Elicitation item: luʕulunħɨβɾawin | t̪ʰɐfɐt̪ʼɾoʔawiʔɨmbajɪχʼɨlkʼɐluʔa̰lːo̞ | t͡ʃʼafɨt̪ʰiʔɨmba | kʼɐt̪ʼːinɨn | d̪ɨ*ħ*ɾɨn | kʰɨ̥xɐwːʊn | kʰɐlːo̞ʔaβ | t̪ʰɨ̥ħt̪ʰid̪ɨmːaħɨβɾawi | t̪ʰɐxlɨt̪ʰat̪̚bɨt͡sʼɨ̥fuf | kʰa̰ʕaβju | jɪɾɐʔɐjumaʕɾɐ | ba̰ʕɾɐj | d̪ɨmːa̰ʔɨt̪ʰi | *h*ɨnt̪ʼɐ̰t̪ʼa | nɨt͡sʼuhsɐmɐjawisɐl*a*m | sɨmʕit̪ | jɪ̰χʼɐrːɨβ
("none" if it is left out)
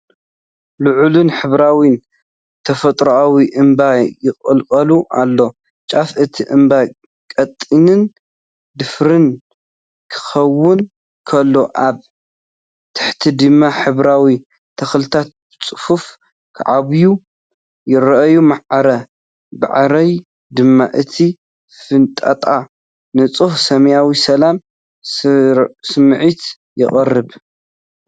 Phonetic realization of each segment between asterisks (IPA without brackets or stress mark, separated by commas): f, f, a